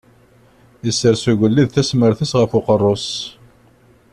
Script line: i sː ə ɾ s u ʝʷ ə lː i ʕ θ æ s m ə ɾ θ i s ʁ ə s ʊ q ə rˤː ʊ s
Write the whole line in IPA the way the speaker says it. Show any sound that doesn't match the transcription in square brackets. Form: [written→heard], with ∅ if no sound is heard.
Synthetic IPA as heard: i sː ə ɾ s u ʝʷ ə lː i [ʕ→ð] θ æ s m ə ɾ θ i s ʁ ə [s→f] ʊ q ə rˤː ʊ s